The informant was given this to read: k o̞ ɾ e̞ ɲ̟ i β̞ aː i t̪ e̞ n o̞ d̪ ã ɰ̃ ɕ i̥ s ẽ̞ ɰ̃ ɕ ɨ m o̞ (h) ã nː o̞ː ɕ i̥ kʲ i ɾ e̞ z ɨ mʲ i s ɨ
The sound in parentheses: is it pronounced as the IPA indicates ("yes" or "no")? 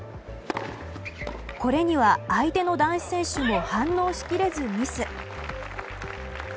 yes